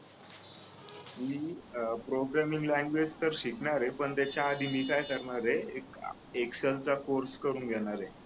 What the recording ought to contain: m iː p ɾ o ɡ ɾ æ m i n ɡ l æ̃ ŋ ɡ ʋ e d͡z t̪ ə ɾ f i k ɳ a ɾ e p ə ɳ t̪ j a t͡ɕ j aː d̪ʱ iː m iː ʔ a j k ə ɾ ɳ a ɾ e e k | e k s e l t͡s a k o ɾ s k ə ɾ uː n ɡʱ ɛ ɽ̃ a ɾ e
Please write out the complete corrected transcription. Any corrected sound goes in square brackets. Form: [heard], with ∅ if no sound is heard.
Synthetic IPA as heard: m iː p ɾ o ɡ ɾ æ m i [ŋ] ɡ l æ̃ ŋ ɡ ʋ e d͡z t̪ ə ɾ [ɕ] i k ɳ a ɾ e p ə ɳ t̪ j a t͡ɕ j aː d̪ʱ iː m iː [k] a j k ə ɾ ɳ a ɾ e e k | e k s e l t͡s a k o ɾ s k ə ɾ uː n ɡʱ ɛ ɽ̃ a ɾ e